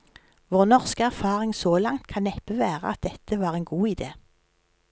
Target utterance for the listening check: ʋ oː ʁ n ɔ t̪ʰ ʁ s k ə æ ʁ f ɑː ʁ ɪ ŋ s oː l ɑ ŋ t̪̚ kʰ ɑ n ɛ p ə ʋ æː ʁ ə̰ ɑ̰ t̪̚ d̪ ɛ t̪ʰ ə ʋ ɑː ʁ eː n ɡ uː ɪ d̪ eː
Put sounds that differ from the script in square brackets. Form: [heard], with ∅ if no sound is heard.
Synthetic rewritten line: ʋ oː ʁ n ɔ [∅] ʁ s k ə æ ʁ f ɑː ʁ ɪ ŋ s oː l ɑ ŋ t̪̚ kʰ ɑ n ɛ p ə ʋ æː ʁ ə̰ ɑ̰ t̪̚ d̪ ɛ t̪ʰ ə ʋ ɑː ʁ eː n ɡ uː ɪ d̪ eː